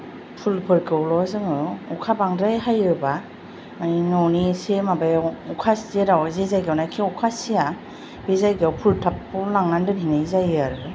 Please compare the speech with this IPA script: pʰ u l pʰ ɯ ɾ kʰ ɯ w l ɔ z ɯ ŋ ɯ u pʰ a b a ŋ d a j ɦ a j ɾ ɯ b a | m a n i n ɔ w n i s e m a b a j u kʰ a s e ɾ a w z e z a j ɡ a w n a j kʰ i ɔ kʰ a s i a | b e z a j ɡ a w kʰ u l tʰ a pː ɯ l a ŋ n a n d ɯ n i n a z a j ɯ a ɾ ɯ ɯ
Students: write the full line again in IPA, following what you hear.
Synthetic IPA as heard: pʰ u l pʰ ɯ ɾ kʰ ɯ w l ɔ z ɯ ŋ ɯ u kʰ a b a ŋ d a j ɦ a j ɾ ɯ b a | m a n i n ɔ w n i s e m a b a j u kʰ a s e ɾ a w z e z a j ɡ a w n a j kʰ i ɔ kʰ a s i a | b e z a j ɡ a w pʰ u l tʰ a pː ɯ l a ŋ n a n d ɯ n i n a z a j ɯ a ɾ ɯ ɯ